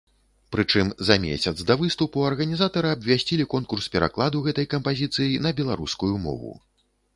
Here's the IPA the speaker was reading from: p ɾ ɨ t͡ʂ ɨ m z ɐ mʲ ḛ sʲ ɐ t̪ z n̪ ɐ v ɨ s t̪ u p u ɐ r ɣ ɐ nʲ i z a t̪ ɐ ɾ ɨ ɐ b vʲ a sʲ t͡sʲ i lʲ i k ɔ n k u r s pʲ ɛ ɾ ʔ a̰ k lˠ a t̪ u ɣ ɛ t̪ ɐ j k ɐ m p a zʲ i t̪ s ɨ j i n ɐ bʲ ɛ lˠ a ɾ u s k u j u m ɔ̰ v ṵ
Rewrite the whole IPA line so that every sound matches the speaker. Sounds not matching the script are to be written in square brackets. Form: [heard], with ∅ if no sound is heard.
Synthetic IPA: p ɾ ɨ t͡ʂ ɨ m z ɐ mʲ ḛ sʲ ɐ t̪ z [d̪] ɐ v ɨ s t̪ u p u ɐ r ɣ ɐ nʲ i z a t̪ ɐ ɾ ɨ ɐ b vʲ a sʲ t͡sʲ i lʲ i k ɔ n k u r s pʲ ɛ ɾ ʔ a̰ k lˠ a [d̪] u ɣ ɛ t̪ ɐ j k ɐ m p a zʲ i t̪ s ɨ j i n ɐ bʲ ɛ lˠ a ɾ u s k u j u m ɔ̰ v ṵ